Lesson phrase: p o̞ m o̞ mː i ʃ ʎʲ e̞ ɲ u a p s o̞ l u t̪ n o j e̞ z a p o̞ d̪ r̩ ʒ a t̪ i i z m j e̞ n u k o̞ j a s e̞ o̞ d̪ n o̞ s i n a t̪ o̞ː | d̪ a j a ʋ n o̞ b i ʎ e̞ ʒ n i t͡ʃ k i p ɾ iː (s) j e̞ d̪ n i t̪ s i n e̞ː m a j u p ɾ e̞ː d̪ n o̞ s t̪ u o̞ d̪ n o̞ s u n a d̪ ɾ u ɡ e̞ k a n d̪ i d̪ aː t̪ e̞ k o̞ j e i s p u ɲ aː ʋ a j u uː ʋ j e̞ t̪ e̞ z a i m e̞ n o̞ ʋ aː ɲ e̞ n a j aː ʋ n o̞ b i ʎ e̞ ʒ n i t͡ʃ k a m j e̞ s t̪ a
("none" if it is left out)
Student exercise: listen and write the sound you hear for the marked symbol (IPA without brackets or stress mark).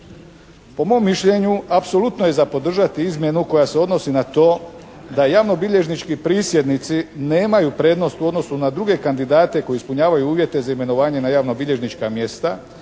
s